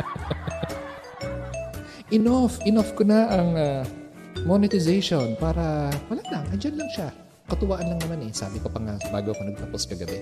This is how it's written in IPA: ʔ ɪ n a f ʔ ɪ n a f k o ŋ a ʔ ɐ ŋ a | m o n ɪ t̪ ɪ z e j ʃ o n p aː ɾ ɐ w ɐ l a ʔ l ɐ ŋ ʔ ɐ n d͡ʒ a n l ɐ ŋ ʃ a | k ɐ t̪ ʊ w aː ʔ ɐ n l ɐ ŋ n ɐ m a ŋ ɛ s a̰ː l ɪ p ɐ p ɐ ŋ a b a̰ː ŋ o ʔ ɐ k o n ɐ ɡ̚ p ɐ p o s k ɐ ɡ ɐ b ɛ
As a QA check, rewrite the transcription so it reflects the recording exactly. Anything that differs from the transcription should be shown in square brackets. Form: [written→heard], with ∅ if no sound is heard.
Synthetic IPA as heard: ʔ ɪ n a f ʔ ɪ n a f k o [ŋ→n] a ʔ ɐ ŋ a | m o n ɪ t̪ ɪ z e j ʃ o n p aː ɾ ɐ w ɐ l a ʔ l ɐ ŋ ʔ ɐ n d͡ʒ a n l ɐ ŋ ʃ a | k ɐ t̪ ʊ w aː ʔ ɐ n l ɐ ŋ n ɐ m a [ŋ→n] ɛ s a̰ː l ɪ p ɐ p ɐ ŋ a b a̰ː [ŋ→ɡ] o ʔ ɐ k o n ɐ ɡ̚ p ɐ p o s k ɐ ɡ ɐ b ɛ